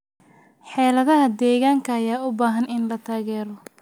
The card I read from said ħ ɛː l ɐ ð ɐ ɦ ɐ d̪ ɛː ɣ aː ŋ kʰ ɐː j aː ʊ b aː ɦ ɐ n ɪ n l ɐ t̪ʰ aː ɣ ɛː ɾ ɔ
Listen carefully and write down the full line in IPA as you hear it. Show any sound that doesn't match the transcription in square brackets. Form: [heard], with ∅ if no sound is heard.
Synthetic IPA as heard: ħ ɛː l ɐ ð ɐ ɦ ɐ d̪ ɛː ɣ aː ŋ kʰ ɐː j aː ʊ b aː ɦ ɐ n ɪ n l ɐ t̪ʰ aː ɣ ɛː ɾ ɔ